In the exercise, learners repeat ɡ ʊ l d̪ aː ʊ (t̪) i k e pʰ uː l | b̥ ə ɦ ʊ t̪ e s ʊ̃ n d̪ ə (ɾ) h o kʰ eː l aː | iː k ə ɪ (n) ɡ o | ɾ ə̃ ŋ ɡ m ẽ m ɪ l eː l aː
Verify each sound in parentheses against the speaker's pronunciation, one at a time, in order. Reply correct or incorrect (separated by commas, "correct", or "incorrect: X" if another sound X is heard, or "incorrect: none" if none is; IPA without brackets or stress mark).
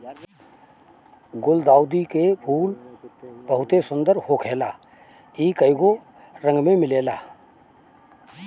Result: incorrect: d̪, correct, incorrect: none